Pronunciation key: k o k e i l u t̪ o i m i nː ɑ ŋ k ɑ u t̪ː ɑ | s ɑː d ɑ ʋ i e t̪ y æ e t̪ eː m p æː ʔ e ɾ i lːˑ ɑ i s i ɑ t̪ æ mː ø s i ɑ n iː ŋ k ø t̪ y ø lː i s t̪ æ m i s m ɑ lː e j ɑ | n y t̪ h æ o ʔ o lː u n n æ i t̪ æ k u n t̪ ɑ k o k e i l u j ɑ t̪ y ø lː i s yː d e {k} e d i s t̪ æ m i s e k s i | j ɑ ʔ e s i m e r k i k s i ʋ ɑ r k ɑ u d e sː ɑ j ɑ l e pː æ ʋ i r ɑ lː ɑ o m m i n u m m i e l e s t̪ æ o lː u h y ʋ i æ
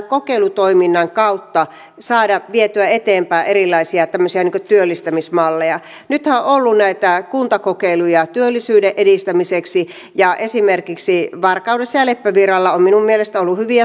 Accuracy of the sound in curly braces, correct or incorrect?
incorrect